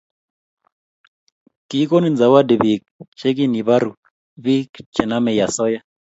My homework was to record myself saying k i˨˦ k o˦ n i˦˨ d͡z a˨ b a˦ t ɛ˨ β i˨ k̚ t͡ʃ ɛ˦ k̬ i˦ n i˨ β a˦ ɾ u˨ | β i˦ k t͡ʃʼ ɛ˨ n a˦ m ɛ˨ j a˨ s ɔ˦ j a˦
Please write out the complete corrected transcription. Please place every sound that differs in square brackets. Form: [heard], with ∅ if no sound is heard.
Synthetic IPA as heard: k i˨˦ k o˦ n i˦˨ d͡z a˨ [w] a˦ [d] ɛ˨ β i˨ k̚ t͡ʃ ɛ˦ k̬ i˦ n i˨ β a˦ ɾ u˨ | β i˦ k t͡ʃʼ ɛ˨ n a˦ m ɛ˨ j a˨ s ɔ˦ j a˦